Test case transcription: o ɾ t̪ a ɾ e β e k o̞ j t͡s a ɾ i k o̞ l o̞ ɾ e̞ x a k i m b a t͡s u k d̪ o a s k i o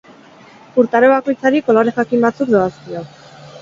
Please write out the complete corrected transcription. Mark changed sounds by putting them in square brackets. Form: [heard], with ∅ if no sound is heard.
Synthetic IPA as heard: [u] ɾ t̪ a ɾ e β [a] k o̞ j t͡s a ɾ i k o̞ l o̞ ɾ e̞ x a k i m b a t͡s u k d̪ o a s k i o